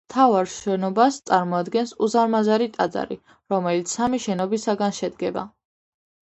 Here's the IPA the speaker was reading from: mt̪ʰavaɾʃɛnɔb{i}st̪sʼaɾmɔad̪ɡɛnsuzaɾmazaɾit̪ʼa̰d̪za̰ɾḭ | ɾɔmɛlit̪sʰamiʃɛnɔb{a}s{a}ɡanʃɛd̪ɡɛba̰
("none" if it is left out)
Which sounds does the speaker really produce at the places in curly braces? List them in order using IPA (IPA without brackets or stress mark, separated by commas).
a, i, a